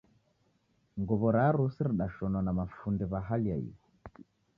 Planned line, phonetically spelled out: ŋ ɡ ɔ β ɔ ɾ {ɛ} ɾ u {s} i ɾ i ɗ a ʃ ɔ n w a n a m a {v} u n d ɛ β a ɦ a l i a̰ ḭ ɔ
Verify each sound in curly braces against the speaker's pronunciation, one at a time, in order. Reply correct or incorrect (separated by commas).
incorrect, correct, incorrect